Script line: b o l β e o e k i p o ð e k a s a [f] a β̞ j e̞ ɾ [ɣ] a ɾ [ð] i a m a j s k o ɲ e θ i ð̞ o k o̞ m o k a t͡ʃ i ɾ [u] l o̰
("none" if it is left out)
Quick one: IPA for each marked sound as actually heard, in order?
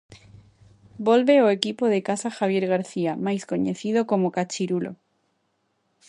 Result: x, ɣ, θ, u

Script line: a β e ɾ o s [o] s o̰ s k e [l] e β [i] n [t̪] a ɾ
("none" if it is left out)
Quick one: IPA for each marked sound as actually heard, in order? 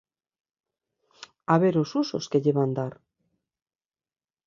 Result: u, ʎ, a, d̪

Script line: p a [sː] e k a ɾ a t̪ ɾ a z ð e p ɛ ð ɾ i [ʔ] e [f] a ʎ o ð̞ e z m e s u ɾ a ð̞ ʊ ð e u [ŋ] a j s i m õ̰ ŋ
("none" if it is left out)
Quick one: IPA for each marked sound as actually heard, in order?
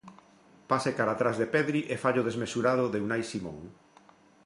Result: s, ʔ, f, n

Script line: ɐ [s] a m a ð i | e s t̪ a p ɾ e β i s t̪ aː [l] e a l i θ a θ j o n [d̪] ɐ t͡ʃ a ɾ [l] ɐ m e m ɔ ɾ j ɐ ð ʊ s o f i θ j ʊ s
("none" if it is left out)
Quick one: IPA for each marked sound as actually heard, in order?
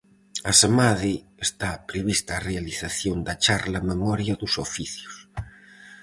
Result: s, r, d̪, l

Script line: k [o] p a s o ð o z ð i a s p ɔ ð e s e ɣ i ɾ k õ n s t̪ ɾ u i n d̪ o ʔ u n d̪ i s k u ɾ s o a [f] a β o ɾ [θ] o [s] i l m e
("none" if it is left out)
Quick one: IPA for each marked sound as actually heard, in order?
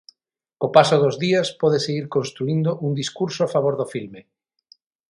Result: o, f, ð, f

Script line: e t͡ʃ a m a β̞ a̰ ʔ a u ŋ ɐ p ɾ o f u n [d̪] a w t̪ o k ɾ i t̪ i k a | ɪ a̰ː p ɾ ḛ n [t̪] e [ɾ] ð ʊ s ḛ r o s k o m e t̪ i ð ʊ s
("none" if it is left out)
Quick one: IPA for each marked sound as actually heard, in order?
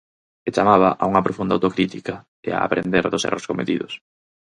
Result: d̪, d̪, ɾ

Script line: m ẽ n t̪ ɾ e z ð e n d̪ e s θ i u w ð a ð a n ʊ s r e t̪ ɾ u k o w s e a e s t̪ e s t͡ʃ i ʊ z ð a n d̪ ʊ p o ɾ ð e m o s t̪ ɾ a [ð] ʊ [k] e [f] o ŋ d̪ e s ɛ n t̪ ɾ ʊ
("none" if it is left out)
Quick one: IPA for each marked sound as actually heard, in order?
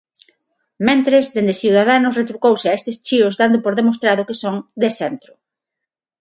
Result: ð, k, s

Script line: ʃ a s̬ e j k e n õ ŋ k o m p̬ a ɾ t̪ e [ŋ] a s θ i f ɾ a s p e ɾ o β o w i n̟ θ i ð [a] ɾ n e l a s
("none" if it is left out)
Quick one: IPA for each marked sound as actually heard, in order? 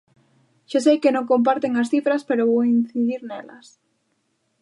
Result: ŋ, i

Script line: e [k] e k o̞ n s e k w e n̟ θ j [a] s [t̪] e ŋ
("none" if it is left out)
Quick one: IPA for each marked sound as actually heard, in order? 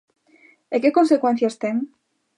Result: k, a, t̪

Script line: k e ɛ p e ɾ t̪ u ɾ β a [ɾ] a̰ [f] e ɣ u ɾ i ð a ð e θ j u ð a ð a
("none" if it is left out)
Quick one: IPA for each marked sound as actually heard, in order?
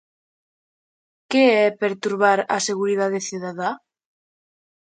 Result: ɾ, s

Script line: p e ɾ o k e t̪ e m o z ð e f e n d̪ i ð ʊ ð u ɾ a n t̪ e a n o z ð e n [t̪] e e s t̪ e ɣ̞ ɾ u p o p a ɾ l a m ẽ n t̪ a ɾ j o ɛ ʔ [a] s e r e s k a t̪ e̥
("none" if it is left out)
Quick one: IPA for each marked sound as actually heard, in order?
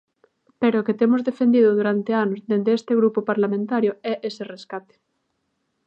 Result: d̪, e

